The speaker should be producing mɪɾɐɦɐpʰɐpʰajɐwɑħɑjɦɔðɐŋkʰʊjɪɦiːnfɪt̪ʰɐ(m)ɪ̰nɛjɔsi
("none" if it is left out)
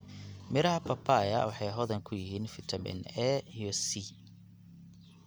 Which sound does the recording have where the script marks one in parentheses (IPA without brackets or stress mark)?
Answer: m